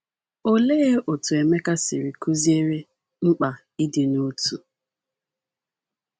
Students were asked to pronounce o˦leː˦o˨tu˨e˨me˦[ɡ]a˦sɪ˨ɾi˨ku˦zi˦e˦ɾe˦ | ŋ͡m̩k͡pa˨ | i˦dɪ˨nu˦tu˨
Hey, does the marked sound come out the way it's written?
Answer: no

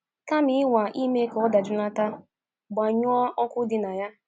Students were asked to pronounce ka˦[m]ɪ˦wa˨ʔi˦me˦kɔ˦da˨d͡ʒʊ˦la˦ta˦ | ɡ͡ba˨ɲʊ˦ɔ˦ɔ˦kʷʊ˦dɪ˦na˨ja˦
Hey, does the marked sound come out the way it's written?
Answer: yes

